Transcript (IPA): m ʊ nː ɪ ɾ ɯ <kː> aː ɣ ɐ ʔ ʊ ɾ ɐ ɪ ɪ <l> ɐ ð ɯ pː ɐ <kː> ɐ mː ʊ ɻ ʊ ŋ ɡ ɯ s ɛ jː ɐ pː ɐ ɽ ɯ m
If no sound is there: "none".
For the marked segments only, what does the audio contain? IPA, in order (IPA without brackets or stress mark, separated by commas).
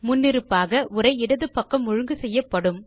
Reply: pː, ɽ, kː